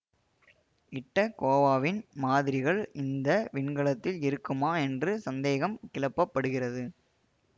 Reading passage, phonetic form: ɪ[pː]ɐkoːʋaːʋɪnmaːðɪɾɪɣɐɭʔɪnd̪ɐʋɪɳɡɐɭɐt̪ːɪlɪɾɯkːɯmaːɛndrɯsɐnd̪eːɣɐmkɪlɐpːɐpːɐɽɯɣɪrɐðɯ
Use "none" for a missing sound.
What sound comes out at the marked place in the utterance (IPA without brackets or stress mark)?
ʈː